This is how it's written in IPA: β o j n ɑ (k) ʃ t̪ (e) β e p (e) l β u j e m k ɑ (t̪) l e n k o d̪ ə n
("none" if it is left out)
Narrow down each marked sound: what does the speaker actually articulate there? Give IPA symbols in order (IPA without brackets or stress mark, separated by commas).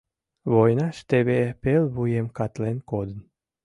none, e, e, t̪